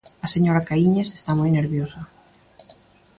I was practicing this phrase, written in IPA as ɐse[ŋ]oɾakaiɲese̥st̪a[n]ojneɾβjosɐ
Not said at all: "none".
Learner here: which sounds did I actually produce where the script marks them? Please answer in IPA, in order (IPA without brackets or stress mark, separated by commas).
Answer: ɲ, m